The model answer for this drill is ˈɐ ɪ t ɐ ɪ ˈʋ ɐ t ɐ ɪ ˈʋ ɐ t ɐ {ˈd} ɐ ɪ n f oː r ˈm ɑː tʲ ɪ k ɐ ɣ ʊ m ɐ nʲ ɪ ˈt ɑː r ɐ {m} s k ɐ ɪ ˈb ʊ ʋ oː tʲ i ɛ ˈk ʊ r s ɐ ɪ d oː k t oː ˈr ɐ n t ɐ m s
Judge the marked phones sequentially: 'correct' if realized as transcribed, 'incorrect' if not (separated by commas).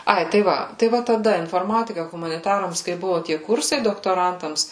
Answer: correct, correct